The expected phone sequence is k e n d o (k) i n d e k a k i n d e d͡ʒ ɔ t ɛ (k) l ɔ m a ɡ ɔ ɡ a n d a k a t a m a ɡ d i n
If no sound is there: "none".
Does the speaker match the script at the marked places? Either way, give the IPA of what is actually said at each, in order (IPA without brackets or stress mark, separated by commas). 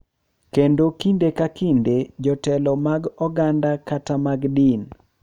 k, none